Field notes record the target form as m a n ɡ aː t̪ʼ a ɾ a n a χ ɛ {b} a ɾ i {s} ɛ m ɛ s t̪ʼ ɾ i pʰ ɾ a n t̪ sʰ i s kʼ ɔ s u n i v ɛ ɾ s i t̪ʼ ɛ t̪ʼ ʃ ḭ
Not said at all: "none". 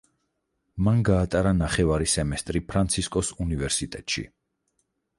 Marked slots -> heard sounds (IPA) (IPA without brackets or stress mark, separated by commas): v, s